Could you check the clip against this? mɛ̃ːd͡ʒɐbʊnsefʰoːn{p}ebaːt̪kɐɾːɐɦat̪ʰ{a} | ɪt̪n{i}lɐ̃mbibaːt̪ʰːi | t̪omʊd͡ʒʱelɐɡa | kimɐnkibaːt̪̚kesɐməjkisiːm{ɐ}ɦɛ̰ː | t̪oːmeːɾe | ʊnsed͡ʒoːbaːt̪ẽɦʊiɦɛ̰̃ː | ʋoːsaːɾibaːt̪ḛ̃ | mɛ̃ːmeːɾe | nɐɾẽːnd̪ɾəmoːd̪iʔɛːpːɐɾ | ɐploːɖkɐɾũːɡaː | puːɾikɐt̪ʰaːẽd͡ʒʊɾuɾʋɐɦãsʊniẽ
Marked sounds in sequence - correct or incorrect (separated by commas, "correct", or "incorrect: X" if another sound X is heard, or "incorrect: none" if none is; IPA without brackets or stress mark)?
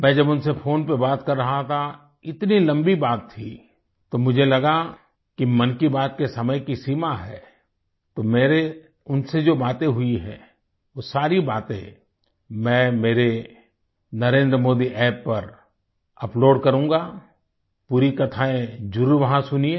correct, correct, correct, incorrect: a